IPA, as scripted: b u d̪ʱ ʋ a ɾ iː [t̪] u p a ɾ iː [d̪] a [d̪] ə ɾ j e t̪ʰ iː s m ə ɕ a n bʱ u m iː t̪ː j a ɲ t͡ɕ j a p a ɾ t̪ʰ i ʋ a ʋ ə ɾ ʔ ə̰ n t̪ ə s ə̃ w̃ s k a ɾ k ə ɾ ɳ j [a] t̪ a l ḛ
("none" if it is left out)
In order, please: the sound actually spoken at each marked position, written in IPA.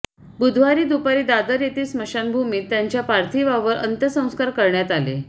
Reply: d̪, d̪, d̪, a

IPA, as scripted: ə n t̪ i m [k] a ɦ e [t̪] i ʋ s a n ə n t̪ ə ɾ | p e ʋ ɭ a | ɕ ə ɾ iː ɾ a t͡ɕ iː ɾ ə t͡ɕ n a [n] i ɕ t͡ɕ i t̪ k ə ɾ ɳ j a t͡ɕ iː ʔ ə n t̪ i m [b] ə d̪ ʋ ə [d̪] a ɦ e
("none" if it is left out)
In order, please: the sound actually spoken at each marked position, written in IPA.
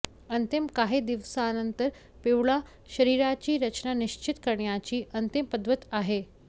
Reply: k, d̪, n, p, t̪

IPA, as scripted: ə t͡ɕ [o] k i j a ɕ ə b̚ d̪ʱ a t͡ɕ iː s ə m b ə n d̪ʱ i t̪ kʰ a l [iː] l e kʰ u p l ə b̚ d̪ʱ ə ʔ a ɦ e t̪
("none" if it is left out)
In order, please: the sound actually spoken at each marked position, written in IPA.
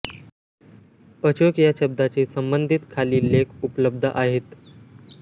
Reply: o, iː

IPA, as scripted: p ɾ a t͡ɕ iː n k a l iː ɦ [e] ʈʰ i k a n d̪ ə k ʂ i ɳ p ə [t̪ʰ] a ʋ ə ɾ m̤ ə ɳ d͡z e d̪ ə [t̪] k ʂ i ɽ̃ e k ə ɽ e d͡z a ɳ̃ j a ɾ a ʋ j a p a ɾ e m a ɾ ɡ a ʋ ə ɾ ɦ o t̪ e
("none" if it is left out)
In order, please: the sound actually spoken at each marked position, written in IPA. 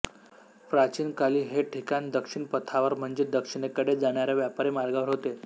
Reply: e, t̪ʰ, none

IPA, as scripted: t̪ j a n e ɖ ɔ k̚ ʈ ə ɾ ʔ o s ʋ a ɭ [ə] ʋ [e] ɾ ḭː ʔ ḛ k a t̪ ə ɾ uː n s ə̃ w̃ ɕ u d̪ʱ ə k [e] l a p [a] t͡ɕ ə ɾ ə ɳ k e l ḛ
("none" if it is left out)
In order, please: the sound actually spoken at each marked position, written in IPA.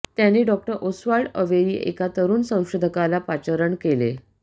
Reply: ə, e, a, a

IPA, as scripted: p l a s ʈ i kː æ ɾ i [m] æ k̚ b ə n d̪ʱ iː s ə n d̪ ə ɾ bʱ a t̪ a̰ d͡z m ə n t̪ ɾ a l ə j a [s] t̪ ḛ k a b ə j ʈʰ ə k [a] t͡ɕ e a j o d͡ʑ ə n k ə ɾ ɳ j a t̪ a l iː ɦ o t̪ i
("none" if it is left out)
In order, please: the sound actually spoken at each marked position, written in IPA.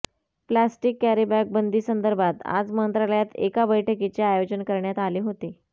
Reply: b, none, i

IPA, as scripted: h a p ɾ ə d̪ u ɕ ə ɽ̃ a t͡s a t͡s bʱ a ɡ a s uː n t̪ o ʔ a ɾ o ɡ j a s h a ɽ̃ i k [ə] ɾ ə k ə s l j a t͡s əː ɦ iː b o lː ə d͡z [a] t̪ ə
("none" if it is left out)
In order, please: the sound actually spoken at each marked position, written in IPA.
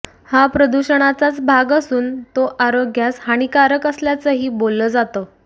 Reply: a, a

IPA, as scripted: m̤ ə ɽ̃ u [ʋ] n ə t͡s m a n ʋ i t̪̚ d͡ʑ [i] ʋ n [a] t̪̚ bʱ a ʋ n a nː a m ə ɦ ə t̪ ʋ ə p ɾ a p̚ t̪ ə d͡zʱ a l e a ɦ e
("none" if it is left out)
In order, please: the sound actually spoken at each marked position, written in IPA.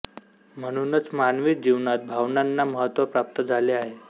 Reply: none, i, a

